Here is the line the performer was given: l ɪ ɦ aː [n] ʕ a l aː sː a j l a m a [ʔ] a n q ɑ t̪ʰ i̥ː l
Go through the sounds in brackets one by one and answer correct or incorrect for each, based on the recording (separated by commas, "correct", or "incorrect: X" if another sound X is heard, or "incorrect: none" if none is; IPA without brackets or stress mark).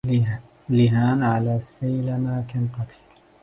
correct, incorrect: k